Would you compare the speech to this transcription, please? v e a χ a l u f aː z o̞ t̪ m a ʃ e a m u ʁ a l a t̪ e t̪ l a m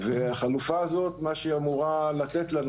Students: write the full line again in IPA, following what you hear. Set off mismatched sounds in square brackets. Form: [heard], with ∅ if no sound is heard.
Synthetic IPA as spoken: v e a χ a l u f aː z o̞ t̪ m a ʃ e a m u ʁ a l a t̪ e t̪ l a [n]